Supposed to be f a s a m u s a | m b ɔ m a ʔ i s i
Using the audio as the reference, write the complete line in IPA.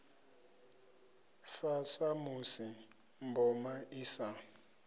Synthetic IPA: f a s a m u s i | m b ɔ m a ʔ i s a